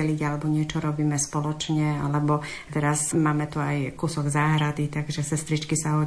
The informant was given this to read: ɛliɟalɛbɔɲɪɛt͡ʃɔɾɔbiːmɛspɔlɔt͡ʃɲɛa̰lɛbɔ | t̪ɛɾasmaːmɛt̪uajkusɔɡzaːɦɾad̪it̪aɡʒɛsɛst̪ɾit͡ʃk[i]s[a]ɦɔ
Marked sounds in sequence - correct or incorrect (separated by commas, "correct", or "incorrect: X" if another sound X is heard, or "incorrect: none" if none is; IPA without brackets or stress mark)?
correct, correct